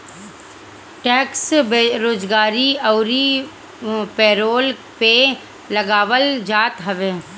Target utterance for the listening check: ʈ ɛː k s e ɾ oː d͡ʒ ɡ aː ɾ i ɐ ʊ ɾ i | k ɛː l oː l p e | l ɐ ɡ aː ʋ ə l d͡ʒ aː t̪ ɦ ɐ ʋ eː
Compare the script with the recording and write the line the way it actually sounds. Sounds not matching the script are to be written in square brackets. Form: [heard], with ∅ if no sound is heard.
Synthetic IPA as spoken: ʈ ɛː k s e ɾ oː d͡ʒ ɡ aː ɾ i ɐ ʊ ɾ i | [p] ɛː [ɾ] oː l p e | l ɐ ɡ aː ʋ ə l d͡ʒ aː t̪ ɦ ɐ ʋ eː